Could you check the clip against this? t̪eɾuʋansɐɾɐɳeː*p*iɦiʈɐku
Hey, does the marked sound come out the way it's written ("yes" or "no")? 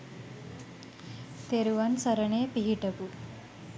yes